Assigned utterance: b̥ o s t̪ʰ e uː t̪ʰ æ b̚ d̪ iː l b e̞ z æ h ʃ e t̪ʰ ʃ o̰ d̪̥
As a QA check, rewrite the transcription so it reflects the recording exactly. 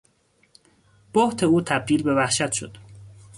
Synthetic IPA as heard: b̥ o h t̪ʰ e uː t̪ʰ æ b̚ d̪ iː l b e̞ v æ h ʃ æ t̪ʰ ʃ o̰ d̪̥